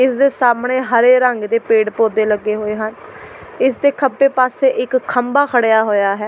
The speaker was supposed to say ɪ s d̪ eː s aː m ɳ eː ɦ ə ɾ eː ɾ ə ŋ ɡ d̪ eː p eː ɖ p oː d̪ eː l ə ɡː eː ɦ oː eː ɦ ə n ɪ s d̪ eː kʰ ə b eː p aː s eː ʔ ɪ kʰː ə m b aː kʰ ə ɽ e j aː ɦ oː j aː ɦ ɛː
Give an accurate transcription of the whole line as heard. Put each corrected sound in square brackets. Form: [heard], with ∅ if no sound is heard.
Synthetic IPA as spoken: ɪ s d̪ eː s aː m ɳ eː ɦ ə ɾ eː ɾ ə ŋ ɡ d̪ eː p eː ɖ p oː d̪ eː l ə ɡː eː ɦ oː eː ɦ ə n ɪ s d̪ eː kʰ ə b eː p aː s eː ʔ ɪ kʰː ə m b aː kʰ ə ɽ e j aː ɦ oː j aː ɦ ɛː